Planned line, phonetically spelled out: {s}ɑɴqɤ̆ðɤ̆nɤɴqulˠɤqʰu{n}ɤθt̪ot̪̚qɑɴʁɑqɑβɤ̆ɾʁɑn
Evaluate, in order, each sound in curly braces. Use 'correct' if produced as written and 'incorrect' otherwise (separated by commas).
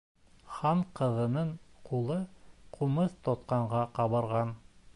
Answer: incorrect, incorrect